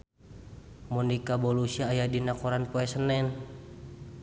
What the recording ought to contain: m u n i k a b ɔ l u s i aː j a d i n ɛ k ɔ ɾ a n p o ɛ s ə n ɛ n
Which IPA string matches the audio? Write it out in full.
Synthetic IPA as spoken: m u n i k a b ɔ l u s i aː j a d i n a k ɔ ɾ a n p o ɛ s ə n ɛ n